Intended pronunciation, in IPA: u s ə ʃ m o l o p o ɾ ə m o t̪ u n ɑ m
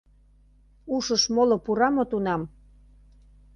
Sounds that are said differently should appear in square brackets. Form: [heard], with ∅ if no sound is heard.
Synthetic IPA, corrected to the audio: u [ʃ] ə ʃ m o l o p [u] ɾ [ɑ] m o t̪ u n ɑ m